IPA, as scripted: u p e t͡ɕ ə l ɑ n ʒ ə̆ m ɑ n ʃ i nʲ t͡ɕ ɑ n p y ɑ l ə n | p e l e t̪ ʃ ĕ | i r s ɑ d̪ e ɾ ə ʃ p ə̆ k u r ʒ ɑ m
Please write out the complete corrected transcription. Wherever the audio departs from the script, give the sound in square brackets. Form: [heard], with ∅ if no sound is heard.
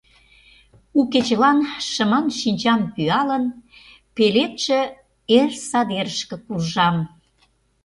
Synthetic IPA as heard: u [k] e t͡ɕ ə l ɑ n [ʃ] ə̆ m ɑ n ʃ i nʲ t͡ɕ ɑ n p y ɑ l ə n | p e l e t̪ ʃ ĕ | [e] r s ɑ d̪ e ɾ ə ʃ [k] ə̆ k u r ʒ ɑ m